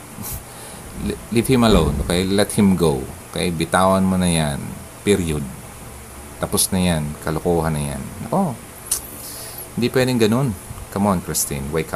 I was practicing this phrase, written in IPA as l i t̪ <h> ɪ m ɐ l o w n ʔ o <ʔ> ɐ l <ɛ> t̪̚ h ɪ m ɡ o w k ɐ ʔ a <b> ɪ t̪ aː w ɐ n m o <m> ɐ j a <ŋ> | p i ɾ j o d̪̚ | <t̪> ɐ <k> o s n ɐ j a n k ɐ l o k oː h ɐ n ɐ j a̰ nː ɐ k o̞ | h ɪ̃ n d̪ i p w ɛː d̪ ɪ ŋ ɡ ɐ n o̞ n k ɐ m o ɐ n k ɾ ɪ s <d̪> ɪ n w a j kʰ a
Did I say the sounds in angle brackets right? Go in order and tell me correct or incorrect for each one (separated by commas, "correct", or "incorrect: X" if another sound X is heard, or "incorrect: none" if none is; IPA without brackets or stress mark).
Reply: correct, incorrect: k, correct, correct, incorrect: n, incorrect: n, correct, incorrect: p, incorrect: t̪